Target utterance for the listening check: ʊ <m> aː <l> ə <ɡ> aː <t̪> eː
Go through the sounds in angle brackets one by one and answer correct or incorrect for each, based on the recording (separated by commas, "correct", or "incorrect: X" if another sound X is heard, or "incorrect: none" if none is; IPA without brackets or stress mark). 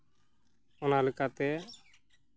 incorrect: n, correct, incorrect: k, correct